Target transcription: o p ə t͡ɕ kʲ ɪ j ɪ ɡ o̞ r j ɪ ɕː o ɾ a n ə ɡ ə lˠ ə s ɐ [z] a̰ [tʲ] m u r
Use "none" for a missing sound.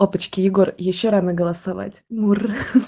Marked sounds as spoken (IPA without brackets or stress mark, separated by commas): v, tʲ